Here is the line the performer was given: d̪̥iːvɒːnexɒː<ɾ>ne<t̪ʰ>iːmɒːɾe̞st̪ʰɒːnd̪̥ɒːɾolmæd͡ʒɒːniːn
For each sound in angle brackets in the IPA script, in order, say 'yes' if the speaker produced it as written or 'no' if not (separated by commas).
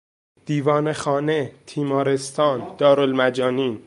no, yes